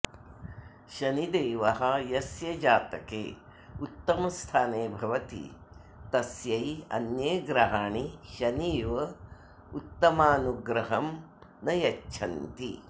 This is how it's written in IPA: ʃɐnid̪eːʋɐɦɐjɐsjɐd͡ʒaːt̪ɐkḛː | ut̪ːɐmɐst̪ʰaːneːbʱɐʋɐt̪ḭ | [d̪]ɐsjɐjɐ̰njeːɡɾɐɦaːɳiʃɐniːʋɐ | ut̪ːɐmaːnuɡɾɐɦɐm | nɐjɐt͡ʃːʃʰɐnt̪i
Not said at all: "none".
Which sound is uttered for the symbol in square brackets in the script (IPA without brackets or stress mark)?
t̪